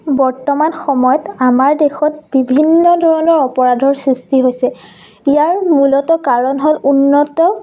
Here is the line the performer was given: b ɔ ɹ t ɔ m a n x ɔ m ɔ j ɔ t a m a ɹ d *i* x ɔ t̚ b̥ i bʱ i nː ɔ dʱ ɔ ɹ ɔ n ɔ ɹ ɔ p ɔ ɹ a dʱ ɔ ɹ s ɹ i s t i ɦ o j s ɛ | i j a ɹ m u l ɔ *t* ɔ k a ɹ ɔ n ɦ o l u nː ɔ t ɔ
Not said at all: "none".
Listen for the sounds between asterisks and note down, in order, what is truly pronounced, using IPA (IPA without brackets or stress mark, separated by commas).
e, t